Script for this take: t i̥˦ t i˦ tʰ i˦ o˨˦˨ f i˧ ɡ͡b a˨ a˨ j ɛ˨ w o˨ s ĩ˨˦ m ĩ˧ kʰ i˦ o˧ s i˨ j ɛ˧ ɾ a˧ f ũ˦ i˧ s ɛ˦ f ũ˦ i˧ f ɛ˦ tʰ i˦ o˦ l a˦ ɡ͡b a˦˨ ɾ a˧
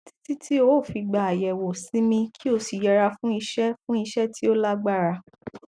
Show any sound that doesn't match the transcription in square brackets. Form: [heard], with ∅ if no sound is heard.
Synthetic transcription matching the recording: t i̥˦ t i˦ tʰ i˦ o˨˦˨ f i˧ ɡ͡b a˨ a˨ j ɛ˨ w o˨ s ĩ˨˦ m ĩ˧ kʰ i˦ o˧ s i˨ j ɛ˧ ɾ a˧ f ũ˦ i˧ [ʃ] ɛ˦ f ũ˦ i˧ [ʃ] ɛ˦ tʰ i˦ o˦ l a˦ ɡ͡b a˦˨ ɾ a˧